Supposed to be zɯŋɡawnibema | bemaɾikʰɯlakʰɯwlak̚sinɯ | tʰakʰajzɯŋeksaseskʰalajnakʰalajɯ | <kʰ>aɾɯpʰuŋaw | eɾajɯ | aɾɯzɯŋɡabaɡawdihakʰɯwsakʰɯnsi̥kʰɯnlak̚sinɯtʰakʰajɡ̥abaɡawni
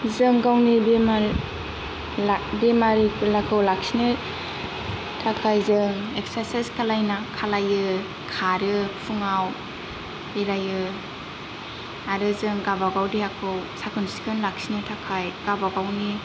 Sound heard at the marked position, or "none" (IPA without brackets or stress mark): kʰ